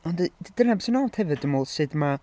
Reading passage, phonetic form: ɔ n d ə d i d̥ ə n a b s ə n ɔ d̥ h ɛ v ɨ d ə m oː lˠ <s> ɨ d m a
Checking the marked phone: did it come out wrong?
no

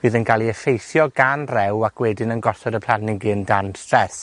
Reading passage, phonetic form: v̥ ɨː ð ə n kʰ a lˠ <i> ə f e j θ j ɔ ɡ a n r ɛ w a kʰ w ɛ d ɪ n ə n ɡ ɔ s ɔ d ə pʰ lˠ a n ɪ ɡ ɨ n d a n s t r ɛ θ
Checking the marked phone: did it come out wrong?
no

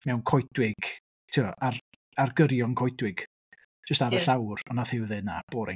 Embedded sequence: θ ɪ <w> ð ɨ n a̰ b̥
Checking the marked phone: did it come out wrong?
no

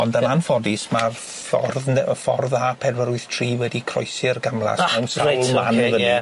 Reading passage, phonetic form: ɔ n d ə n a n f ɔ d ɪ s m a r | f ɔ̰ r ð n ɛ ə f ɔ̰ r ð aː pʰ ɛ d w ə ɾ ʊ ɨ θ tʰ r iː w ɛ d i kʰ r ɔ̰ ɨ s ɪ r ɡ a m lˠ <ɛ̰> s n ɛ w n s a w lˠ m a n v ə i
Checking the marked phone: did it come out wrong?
yes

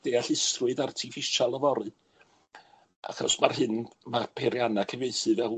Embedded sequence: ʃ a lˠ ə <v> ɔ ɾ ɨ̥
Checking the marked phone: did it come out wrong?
no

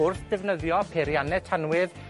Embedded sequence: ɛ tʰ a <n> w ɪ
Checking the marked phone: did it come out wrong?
no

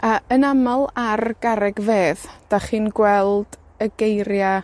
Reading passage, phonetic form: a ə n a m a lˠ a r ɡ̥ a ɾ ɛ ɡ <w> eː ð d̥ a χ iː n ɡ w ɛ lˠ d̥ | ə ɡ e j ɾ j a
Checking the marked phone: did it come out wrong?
yes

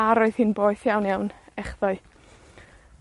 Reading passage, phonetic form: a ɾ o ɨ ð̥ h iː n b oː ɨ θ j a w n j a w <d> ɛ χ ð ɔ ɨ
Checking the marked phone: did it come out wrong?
yes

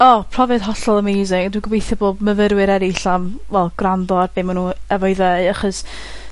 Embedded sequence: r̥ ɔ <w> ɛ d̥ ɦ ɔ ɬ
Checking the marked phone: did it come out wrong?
yes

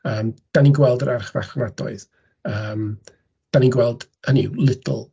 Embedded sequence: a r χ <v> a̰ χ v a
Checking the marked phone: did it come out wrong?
no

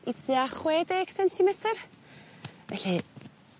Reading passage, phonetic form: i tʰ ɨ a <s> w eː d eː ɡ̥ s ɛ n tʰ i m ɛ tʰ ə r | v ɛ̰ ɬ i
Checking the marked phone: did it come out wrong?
yes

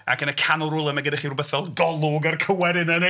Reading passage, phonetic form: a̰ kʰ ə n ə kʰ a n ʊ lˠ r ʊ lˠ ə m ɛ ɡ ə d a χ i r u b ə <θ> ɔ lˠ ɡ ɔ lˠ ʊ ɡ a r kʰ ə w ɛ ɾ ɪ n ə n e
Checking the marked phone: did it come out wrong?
no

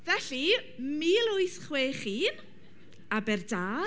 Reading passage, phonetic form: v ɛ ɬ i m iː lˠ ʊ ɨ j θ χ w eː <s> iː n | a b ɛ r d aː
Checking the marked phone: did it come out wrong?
yes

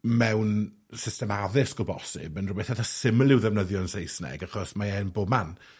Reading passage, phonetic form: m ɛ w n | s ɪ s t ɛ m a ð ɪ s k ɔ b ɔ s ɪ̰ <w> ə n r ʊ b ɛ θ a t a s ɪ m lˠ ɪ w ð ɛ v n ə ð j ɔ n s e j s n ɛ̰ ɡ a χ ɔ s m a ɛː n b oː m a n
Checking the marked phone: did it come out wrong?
yes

